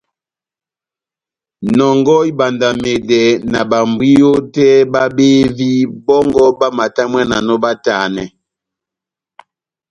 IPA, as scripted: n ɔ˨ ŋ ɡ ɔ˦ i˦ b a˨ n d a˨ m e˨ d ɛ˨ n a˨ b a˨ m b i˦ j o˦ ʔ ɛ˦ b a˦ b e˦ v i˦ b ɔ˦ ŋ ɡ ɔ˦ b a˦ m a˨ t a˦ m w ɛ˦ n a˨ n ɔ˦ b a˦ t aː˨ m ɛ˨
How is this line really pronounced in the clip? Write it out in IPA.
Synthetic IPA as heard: n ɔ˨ ŋ ɡ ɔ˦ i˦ b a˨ n d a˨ m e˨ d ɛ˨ n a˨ b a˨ m b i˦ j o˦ t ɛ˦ b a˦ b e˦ v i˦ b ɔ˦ ŋ ɡ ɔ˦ b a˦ m a˨ t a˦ m w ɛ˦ n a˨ n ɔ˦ b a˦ t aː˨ n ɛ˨